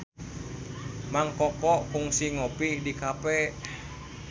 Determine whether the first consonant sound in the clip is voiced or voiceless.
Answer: voiced